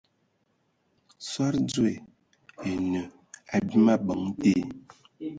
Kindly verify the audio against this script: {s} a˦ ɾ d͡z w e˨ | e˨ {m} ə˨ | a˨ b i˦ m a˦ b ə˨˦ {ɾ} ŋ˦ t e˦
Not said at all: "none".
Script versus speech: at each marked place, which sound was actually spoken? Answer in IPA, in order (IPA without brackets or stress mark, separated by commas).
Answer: s, n, none